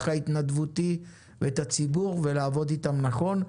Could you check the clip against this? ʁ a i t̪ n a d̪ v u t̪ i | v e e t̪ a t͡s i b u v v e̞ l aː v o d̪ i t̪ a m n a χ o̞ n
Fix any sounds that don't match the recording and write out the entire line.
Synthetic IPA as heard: χ a i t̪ n a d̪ v u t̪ i | v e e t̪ a t͡s i b u ʁ v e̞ l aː v o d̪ i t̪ a m n a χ o̞ n